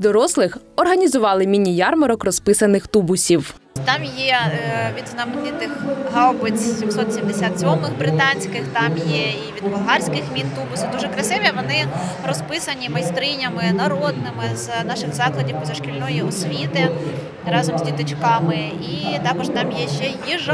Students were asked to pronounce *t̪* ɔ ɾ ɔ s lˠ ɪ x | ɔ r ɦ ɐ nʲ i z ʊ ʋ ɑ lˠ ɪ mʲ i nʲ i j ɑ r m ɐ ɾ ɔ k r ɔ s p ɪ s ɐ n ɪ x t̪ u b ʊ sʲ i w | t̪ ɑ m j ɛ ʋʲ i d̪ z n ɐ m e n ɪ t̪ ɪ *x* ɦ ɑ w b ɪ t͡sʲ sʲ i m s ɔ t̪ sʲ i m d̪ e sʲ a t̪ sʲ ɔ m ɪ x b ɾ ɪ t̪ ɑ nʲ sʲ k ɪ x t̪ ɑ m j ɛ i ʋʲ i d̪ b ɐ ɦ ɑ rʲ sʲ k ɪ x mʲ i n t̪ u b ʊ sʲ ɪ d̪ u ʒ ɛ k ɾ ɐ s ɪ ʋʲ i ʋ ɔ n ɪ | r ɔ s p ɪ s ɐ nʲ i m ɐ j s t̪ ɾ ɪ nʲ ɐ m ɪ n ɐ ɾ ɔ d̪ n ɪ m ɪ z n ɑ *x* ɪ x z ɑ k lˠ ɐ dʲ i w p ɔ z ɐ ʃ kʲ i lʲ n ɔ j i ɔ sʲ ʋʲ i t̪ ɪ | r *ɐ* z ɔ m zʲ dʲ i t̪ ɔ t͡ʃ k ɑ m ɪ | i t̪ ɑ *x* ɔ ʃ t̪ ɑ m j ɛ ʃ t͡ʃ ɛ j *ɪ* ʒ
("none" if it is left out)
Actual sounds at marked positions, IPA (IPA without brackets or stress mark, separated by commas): d̪, x, ʃ, ɑ, k, i